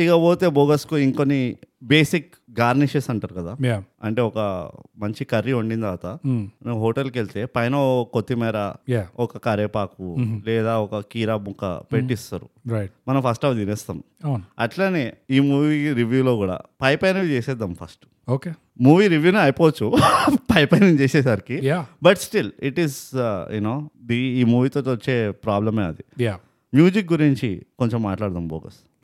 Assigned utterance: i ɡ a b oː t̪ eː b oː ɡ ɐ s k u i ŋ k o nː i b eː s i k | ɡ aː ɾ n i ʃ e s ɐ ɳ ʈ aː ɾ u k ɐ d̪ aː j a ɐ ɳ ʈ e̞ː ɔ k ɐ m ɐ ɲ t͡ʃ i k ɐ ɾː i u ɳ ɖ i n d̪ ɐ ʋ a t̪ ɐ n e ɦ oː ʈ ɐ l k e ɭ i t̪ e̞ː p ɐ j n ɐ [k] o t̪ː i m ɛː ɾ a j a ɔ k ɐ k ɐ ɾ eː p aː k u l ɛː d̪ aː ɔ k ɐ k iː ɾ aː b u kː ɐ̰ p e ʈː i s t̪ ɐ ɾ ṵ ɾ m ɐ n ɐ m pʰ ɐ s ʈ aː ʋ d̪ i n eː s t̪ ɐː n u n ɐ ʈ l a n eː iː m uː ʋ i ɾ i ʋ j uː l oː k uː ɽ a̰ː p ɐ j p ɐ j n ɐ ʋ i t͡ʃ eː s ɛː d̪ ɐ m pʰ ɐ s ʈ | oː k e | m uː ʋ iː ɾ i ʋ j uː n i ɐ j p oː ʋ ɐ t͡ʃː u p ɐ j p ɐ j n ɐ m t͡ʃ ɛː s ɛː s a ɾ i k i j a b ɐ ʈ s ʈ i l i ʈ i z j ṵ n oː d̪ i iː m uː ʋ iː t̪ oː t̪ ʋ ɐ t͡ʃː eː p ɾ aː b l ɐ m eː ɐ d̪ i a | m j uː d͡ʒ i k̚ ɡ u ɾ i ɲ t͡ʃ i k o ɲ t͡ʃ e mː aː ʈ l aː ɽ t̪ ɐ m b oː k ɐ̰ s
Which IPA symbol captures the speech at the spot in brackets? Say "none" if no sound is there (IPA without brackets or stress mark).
k